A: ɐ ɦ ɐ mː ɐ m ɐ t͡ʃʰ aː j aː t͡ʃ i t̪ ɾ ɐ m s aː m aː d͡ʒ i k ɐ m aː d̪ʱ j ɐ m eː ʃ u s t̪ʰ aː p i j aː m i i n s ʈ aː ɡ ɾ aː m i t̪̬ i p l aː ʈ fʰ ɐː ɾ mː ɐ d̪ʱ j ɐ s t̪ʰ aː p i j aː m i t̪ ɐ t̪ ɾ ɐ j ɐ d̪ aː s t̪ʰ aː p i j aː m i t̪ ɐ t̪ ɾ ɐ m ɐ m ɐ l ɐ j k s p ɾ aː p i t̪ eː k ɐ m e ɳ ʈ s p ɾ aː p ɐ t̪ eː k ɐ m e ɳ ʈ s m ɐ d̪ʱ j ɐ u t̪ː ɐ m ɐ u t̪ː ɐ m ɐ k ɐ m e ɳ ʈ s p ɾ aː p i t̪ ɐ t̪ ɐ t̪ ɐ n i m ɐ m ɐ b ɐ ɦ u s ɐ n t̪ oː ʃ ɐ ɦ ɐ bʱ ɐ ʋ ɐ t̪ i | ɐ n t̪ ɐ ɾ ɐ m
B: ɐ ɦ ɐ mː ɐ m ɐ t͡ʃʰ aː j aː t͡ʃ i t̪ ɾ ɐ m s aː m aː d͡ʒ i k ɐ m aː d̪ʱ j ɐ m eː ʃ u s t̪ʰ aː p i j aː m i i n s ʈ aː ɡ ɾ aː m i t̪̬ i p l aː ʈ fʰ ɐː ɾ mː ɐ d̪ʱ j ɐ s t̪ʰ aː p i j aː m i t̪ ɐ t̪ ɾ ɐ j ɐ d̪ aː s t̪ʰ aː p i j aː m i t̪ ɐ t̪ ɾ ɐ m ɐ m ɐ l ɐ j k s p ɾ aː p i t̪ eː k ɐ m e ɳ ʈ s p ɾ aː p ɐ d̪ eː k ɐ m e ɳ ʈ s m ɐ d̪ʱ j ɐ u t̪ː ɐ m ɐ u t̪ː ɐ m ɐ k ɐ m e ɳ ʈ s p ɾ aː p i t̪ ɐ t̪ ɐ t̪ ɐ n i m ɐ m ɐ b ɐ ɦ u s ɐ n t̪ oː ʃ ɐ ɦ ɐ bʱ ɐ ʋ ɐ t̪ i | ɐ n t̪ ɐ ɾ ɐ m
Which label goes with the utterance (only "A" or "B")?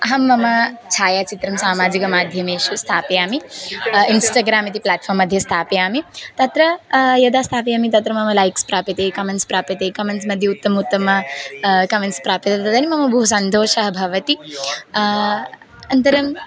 A